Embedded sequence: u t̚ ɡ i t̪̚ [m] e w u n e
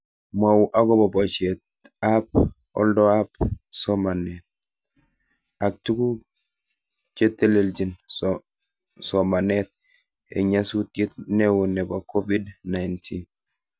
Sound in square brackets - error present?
yes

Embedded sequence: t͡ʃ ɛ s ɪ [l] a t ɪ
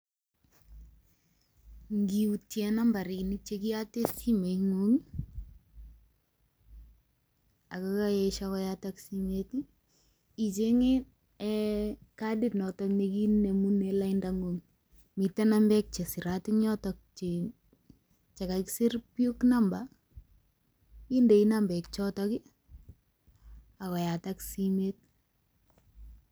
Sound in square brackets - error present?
yes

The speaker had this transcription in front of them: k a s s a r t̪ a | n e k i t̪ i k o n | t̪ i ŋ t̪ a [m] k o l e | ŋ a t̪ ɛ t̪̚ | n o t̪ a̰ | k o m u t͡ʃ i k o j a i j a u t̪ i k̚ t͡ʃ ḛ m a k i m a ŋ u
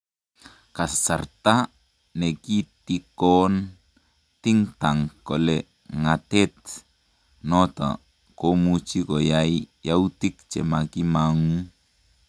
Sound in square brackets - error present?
yes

